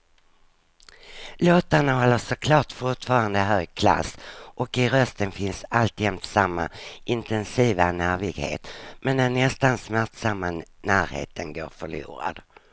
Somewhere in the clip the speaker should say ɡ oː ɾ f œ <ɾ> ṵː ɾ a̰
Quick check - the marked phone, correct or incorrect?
incorrect: ɭ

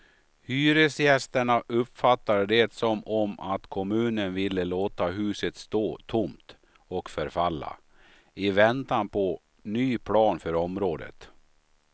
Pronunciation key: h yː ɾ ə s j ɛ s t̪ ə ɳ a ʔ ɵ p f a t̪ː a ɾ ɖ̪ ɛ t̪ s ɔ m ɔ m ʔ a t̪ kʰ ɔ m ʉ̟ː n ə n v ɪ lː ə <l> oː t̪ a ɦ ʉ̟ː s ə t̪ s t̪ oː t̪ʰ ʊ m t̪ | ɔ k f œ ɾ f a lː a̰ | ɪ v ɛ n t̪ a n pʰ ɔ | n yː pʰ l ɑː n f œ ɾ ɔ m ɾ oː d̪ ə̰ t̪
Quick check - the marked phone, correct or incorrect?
correct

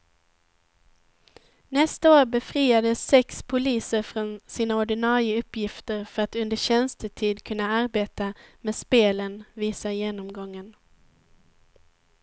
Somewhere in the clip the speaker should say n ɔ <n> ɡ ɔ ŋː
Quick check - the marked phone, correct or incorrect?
incorrect: m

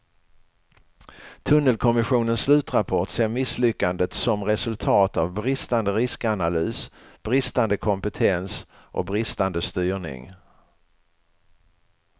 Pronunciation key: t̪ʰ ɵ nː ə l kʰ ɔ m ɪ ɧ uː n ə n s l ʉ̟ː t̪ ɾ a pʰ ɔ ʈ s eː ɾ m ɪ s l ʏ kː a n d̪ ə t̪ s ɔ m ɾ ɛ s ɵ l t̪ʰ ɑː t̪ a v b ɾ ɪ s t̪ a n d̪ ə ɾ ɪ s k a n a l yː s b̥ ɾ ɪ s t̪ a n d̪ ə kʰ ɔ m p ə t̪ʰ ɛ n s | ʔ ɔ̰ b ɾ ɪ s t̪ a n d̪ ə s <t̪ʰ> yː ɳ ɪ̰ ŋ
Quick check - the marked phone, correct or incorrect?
incorrect: t̪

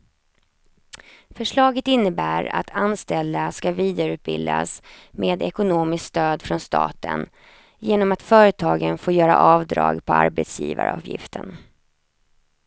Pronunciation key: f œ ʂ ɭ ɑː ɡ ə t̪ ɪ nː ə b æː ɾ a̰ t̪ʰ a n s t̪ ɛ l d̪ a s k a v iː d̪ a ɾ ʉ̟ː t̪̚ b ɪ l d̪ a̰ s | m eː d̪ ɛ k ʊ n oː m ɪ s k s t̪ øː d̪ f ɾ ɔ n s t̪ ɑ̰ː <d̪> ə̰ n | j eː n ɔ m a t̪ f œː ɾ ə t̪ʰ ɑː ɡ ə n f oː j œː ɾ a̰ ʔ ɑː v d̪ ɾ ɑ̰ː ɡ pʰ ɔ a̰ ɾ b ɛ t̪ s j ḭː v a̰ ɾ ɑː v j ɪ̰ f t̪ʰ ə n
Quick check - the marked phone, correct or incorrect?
incorrect: t̪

